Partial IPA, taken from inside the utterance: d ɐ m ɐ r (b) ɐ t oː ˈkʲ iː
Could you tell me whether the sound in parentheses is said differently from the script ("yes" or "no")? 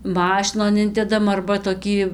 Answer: no